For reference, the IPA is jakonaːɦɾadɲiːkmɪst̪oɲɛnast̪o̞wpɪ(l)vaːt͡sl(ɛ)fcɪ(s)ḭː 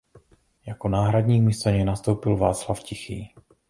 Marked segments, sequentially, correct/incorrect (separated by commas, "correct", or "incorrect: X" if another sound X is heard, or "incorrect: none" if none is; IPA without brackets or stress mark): correct, incorrect: a, incorrect: x